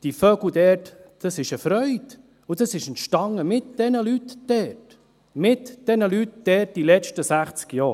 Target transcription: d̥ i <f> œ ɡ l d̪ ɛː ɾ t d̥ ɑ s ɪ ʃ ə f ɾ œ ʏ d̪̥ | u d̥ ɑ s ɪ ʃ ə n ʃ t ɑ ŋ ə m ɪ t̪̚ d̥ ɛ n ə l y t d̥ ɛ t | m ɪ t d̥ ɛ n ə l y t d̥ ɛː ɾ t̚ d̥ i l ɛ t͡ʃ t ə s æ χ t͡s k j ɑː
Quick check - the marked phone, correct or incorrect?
correct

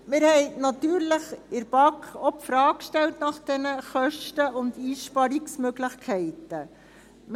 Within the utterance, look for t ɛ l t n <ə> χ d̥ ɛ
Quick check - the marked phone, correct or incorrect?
incorrect: ɑ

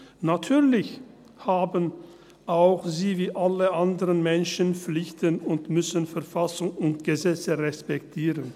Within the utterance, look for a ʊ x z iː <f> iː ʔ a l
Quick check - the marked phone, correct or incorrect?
incorrect: v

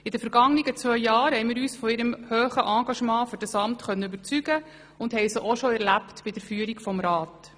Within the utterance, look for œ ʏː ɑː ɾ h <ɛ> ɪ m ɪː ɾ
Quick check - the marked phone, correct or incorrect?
correct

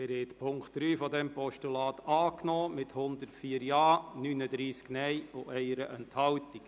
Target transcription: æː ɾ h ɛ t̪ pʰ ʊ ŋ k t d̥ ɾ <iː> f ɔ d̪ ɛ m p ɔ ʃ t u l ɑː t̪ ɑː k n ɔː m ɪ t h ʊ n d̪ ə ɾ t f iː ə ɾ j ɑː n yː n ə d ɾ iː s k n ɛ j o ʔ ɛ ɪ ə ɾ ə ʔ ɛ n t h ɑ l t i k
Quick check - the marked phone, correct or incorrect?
incorrect: yː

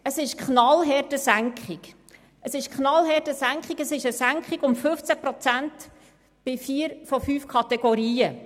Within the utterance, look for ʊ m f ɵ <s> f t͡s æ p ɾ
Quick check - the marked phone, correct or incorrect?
incorrect: none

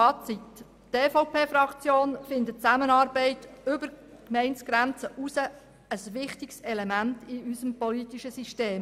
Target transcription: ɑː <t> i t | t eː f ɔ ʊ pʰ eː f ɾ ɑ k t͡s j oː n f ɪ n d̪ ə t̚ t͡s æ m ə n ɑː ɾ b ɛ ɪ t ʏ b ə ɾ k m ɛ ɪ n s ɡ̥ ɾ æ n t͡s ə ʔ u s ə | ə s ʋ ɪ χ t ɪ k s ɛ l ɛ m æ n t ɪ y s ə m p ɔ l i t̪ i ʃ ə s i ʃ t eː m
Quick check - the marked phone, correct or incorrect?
incorrect: t͡s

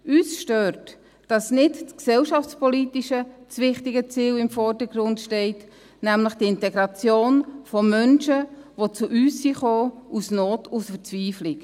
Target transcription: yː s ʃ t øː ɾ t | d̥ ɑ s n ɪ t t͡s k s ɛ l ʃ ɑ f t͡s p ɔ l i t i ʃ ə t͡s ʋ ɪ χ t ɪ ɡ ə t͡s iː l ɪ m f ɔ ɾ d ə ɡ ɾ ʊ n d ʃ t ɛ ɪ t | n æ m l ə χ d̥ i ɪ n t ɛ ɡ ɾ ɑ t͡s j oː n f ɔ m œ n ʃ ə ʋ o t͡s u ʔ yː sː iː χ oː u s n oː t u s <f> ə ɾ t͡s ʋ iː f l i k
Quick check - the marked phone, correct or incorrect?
correct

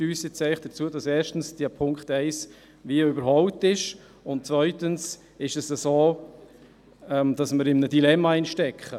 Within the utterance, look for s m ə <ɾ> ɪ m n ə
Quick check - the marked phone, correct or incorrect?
correct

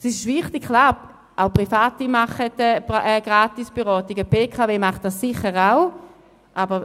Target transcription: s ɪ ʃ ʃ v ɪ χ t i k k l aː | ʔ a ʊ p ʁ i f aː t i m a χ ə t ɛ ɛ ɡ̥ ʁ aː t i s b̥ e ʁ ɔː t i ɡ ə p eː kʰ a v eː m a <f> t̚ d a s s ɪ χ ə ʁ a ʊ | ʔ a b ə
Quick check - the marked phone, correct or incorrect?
incorrect: χ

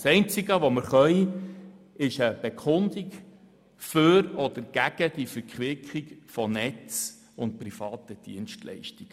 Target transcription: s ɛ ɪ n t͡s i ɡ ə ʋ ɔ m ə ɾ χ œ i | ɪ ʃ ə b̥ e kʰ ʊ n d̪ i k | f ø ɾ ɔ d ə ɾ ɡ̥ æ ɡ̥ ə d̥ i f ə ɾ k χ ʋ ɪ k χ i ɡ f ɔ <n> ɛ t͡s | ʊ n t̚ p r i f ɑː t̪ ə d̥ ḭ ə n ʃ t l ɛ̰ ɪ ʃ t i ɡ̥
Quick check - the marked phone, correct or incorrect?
correct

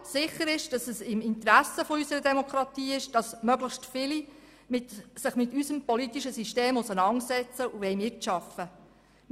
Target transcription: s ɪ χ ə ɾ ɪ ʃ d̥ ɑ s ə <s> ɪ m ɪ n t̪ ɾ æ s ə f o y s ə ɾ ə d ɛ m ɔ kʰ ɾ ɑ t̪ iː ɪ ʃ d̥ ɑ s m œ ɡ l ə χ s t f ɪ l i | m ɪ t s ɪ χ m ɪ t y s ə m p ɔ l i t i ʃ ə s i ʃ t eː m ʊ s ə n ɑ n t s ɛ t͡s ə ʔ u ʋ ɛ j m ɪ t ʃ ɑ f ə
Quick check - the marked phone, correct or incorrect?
correct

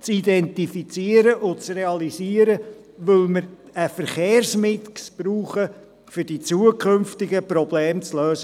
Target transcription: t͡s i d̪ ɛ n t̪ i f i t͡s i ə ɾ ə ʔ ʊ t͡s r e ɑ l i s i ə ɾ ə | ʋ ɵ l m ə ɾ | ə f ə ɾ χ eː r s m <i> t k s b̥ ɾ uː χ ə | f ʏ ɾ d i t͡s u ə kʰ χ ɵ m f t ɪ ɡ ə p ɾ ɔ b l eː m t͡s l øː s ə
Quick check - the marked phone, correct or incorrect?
incorrect: ɪ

